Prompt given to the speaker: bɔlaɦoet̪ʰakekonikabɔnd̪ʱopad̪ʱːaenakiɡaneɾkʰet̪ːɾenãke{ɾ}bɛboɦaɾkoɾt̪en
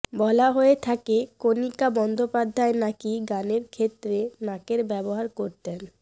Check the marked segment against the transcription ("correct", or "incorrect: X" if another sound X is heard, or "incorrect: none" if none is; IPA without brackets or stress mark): correct